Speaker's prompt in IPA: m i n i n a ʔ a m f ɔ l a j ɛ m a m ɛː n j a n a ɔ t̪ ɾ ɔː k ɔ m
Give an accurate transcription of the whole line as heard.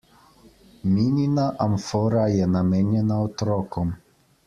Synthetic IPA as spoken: m i n i n a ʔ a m f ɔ ɾ a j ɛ n a m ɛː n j ɛ n a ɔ t̪ ɾ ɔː k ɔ m